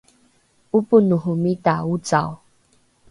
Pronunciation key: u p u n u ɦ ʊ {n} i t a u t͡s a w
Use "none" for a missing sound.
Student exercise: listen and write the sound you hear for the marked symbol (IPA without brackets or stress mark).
m